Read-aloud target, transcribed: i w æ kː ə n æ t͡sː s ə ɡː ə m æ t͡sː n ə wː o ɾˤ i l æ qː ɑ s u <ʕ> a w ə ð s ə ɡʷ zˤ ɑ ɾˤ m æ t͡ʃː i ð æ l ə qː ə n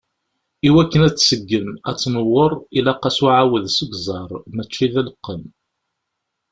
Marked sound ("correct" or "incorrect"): correct